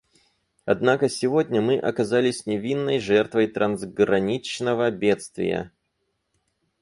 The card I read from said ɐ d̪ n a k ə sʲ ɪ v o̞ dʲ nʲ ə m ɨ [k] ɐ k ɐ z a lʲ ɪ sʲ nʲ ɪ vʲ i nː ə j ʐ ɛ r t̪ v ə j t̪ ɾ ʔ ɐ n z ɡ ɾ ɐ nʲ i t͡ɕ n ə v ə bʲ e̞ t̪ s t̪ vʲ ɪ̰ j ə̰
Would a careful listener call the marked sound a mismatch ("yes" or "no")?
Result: yes